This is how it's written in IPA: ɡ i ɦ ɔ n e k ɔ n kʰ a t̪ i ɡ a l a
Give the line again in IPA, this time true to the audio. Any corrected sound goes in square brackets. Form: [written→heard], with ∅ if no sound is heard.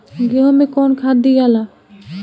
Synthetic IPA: ɡ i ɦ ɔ [n→m] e k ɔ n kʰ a [t̪→d̪] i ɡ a l a